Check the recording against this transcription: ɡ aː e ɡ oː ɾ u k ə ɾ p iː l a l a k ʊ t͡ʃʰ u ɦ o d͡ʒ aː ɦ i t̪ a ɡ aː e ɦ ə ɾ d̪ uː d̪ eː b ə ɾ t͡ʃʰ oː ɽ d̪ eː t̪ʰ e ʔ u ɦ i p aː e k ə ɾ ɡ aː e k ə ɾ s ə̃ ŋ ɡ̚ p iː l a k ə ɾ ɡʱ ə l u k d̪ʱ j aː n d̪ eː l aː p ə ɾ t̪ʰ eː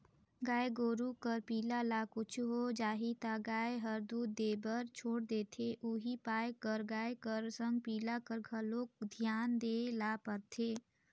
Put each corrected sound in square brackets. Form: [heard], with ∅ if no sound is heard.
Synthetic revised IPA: ɡ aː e ɡ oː ɾ u k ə ɾ p iː l a l a k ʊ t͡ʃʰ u ɦ o d͡ʒ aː ɦ i t̪ a ɡ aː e ɦ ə ɾ d̪ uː d̪ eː b ə ɾ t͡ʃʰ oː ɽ d̪ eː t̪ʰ e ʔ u ɦ i p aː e k ə ɾ ɡ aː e k ə ɾ s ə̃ ŋ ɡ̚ p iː l a k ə ɾ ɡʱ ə l [o] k d̪ʱ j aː n d̪ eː l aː p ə ɾ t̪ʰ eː